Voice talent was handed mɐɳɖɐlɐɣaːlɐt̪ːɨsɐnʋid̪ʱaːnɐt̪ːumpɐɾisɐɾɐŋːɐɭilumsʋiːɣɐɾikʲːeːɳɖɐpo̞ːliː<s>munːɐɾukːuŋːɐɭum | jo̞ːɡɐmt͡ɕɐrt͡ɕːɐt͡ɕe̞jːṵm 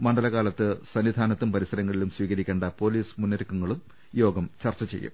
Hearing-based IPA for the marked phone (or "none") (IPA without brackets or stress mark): s